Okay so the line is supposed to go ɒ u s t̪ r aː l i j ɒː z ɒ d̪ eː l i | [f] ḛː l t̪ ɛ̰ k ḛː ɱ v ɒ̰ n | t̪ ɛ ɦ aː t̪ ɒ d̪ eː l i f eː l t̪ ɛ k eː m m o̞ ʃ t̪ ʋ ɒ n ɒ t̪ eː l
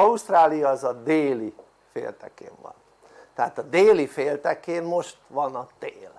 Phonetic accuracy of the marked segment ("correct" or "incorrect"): correct